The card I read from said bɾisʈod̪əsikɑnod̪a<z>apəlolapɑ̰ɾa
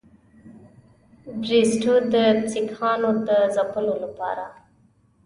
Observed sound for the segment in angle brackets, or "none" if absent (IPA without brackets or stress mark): z